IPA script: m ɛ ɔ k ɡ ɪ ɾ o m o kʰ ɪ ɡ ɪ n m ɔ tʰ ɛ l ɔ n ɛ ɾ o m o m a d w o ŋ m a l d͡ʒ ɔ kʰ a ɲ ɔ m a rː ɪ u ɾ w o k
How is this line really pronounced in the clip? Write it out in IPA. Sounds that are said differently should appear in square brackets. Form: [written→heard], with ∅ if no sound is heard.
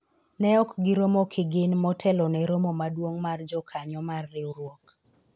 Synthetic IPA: [m→n] ɛ ɔ k ɡ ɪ ɾ o m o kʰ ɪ ɡ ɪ n m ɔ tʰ ɛ l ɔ n ɛ ɾ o m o m a d w o ŋ m a [l→r] d͡ʒ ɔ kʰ a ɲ ɔ m a rː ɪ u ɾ w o k

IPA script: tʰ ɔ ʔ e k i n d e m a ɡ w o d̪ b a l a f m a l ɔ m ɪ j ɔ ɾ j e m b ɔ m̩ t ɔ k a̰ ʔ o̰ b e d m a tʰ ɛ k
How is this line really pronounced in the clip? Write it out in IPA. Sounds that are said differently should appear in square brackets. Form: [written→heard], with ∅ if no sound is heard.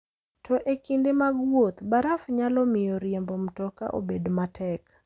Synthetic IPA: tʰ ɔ ʔ e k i n d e m a ɡ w o [d̪→t̪] b a [l→ɾ] a f [m→ɲ] a l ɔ m ɪ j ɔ ɾ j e m b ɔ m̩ t ɔ k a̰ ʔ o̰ b e d m a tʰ ɛ k

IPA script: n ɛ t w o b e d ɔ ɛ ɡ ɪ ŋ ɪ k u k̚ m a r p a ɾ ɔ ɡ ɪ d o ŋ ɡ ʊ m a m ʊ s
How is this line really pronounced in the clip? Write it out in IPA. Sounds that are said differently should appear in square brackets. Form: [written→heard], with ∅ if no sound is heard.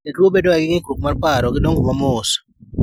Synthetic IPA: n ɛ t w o b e d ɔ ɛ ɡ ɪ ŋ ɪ k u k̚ m a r p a ɾ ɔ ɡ ɪ d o ŋ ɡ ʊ m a m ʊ s

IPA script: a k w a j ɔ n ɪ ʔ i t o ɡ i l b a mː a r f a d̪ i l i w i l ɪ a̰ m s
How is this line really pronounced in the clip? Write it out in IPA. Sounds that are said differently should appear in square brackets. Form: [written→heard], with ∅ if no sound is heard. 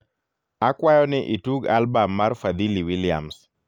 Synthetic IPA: a k w a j ɔ n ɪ ʔ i t [o→u] ɡ [i→a] l b a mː a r f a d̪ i l i w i l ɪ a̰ m s

